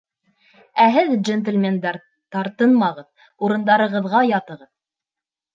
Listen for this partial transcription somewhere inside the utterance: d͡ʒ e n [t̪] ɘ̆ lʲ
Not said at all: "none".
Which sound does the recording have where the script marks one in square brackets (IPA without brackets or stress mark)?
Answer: t̪